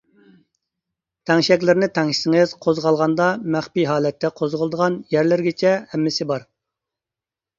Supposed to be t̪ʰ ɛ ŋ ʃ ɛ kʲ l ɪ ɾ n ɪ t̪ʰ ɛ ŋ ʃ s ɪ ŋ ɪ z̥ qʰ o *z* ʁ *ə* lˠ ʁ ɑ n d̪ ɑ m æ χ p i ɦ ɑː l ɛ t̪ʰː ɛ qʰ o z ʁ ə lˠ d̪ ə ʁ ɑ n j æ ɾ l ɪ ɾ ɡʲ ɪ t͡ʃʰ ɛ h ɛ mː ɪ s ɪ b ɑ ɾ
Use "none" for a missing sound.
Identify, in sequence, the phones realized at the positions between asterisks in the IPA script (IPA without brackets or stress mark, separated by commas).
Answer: z, ɑ